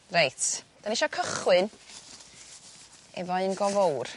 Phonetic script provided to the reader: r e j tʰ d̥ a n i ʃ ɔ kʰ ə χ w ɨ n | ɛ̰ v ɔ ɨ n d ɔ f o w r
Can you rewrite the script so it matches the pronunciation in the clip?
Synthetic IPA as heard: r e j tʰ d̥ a n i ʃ ɔ kʰ ə χ w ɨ n | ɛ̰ v ɔ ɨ n ɡ ɔ v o w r